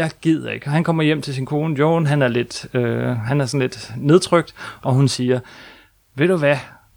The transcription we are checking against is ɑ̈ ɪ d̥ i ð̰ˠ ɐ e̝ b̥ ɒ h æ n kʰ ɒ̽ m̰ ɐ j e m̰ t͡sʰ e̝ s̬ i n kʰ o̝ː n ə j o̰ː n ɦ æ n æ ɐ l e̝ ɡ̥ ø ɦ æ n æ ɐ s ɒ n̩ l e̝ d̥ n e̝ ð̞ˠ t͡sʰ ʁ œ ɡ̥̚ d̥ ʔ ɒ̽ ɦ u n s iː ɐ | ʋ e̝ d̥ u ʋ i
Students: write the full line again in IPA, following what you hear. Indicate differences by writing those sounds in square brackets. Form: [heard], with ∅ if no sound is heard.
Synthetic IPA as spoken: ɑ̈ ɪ [ɡ̥] i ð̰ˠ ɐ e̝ [ɡ̥] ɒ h æ n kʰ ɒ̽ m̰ ɐ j e m̰ t͡sʰ e̝ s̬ i n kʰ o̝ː n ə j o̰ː n ɦ æ n æ ɐ l e̝ [d̥] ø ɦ æ n æ ɐ s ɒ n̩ l e̝ d̥ n e̝ ð̞ˠ t͡sʰ ʁ œ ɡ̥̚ d̥ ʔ ɒ̽ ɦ u n s iː ɐ | ʋ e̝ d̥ u ʋ [æ]